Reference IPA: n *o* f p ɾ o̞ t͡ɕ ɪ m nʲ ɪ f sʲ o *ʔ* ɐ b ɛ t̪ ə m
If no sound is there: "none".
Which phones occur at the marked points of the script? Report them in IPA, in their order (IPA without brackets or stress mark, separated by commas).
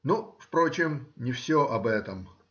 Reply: u, ʔ